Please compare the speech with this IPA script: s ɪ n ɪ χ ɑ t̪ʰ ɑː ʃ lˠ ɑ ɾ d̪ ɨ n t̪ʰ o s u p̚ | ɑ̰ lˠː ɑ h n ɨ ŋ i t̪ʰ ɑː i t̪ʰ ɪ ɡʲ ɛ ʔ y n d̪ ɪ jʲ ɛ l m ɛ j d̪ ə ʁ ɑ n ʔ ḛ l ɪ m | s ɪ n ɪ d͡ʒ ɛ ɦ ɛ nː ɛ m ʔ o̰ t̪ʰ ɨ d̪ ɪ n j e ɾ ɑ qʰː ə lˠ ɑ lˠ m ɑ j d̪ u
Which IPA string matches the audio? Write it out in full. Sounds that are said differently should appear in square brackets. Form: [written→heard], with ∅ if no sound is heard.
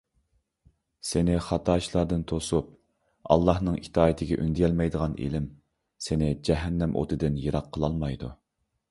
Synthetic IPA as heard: s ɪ n ɪ χ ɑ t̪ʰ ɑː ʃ lˠ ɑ ɾ d̪ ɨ n t̪ʰ o s u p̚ | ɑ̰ lˠː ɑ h n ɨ ŋ i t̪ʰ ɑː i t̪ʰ ɪ ɡʲ ɛ ʔ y n d̪ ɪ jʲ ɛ l m ɛ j d̪ ə ʁ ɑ n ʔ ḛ l ɪ m | s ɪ n ɪ d͡ʒ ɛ ɦ ɛ nː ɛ m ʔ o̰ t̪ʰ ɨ d̪ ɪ n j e ɾ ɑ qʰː ə lˠ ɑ lˠ m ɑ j d̪ u